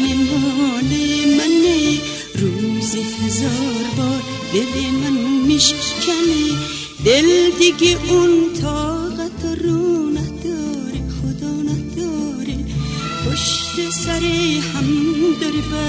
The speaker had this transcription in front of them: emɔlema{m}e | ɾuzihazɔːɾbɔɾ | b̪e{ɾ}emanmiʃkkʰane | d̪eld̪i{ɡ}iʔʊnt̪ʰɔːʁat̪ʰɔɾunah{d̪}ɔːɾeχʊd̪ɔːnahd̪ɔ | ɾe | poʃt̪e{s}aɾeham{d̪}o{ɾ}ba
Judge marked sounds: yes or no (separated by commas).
no, no, yes, yes, yes, yes, yes